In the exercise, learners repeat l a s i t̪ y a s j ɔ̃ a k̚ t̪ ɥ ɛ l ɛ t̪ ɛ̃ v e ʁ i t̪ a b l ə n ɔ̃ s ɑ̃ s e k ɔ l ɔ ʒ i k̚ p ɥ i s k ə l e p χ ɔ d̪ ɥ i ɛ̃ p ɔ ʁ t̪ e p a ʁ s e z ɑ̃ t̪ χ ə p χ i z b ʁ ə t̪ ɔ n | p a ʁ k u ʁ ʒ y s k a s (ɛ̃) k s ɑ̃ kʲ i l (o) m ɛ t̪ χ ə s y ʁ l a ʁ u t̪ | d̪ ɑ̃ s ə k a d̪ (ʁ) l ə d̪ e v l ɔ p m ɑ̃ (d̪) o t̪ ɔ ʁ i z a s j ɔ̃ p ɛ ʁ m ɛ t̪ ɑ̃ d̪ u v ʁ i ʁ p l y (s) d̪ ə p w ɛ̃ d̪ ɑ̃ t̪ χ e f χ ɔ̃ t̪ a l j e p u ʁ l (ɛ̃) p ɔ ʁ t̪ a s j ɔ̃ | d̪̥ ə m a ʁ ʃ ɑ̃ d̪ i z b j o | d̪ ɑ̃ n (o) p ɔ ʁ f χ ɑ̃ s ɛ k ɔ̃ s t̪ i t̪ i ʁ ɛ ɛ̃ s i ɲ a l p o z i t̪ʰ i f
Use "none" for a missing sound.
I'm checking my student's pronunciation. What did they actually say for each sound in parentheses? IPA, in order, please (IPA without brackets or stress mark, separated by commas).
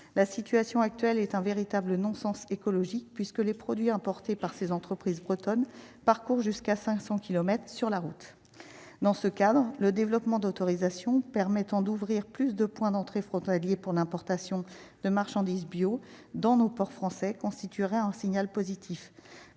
ɛ̃, ɔ, ʁ, d̪, s, ɛ̃, o